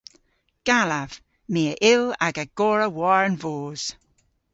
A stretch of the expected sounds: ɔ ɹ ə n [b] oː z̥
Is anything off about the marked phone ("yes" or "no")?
yes